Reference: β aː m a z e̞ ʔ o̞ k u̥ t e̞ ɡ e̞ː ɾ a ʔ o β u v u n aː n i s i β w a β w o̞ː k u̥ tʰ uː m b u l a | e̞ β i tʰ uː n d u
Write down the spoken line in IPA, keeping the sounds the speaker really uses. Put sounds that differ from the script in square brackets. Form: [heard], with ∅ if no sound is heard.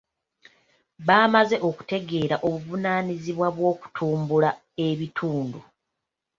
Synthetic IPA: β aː m a z e̞ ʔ o̞ k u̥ t e̞ ɡ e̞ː ɾ a ʔ o β u v u n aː n i [z] i β w a β w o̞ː k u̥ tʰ uː m b u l a | e̞ β i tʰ uː n d u

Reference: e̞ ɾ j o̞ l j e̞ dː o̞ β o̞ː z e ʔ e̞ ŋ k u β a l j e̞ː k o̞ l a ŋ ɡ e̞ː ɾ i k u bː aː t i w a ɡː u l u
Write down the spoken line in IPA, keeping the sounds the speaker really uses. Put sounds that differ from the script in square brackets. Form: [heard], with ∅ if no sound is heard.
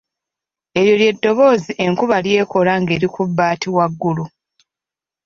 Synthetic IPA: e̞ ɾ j o̞ l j e̞ dː o̞ β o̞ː z [i] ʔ e̞ ŋ k u β a l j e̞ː k o̞ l a ŋ ɡ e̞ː ɾ i k u bː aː t i w a ɡː u l u

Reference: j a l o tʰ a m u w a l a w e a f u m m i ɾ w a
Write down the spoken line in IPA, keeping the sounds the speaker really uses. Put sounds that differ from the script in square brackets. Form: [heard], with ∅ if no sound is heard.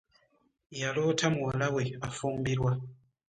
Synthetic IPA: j a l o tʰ a m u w a l a w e a f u m [b] i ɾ w a

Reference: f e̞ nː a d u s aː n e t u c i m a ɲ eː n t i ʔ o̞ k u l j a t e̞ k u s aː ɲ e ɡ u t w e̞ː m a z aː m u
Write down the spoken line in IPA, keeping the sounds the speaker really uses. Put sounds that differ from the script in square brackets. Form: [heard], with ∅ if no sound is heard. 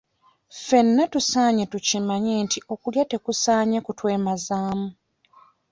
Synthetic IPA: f e̞ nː a [t] u s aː [ɲ] e t u c i m a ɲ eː n t i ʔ o̞ k u l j a t e̞ k u s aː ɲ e [k] u t w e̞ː m a z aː m u

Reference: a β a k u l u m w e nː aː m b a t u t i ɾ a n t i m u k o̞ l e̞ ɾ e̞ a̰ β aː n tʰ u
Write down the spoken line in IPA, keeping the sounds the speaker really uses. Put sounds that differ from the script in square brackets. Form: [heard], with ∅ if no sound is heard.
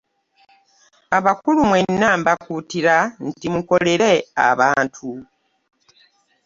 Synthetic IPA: a β a k u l u m w e nː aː m b a [k] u t i ɾ a n t i m u k o̞ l e̞ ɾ e̞ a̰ β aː n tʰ u

